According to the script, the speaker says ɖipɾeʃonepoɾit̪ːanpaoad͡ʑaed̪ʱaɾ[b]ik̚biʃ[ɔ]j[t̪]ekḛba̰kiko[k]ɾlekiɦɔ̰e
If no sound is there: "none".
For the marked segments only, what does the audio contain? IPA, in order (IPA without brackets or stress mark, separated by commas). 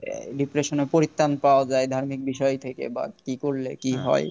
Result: m, ɔ, t̪ʰ, none